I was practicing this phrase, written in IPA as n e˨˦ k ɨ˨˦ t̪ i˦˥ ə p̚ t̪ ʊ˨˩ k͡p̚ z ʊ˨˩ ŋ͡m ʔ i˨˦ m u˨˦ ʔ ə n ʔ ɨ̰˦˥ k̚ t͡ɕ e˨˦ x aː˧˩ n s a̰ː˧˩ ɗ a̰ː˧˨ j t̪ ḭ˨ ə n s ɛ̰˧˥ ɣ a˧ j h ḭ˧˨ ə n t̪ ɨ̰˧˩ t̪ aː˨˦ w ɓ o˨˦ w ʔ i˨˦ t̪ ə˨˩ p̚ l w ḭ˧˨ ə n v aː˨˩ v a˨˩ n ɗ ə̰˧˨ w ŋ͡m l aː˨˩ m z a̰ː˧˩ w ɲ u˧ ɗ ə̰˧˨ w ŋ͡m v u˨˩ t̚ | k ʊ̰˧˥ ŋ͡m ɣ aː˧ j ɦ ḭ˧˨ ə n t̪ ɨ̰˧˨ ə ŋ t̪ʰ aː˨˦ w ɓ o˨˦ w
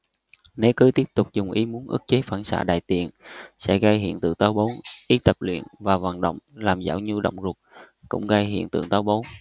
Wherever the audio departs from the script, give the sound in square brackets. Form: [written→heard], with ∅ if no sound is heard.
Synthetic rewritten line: n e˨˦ k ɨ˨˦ t̪ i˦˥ ə p̚ t̪ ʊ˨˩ k͡p̚ z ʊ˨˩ ŋ͡m ʔ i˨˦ m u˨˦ [ʔ→∅] ə n ʔ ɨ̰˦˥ k̚ t͡ɕ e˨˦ [x→f] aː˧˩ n s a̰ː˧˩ ɗ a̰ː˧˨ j t̪ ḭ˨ ə n s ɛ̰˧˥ ɣ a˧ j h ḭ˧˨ ə n t̪ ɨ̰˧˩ t̪ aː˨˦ w ɓ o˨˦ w ʔ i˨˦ t̪ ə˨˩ p̚ l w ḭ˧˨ ə n v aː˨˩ v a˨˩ n ɗ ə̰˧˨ w ŋ͡m l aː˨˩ m z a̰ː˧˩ w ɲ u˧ ɗ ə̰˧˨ w ŋ͡m [v→z] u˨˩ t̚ | k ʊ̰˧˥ ŋ͡m ɣ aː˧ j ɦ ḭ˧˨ ə n t̪ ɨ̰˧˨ ə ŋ [t̪ʰ→t̪] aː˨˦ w ɓ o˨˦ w